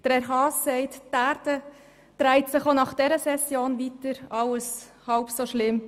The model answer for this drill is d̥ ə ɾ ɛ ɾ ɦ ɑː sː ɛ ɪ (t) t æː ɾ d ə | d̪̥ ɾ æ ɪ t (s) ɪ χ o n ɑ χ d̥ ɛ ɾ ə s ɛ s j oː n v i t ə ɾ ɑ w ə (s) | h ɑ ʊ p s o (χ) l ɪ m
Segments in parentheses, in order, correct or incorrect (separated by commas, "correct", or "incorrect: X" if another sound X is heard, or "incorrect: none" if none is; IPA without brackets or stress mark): correct, correct, correct, incorrect: ʃ